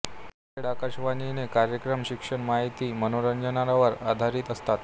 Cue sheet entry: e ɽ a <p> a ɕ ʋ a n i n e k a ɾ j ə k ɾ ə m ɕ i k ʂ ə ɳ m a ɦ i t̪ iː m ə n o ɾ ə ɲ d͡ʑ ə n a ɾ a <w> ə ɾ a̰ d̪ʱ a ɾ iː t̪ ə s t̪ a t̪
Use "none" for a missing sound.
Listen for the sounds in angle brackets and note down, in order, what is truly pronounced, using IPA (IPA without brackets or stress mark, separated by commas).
k, ʋ